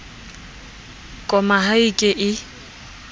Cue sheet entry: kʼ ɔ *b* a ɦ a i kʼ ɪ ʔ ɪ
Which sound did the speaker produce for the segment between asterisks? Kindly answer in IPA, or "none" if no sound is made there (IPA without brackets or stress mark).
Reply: m